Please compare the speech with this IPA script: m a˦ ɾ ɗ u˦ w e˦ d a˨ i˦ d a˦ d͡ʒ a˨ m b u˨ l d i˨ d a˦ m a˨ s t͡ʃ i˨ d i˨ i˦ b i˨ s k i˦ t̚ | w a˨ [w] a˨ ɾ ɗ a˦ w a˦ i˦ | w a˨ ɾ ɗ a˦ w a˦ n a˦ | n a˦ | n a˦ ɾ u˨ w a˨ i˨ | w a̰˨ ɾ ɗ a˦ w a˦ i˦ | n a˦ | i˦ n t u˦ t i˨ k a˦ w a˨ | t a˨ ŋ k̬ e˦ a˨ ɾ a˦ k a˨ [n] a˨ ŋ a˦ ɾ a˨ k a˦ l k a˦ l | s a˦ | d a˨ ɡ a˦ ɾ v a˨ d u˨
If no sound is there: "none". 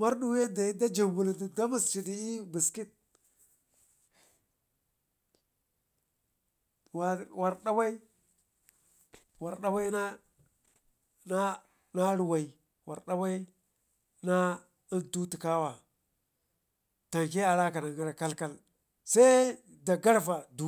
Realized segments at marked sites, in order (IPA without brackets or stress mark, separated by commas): w, n